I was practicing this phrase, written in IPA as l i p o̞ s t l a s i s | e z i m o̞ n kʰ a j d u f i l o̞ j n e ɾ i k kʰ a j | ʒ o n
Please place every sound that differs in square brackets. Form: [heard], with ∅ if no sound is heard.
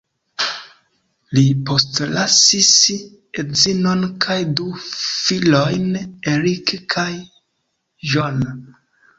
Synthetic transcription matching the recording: l i p o̞ s t l a s i s | e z i [n] o̞ n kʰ a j d u f i l o̞ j n e ɾ i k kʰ a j | ʒ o n